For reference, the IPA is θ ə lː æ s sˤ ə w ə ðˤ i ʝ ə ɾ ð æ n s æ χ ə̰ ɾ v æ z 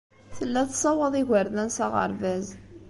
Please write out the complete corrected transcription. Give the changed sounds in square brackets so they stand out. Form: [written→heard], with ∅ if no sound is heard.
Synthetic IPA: θ ə lː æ [s→θ] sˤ [ə→ɑ] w ə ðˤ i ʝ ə ɾ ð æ n s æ [χ→ʁ] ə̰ ɾ v æ z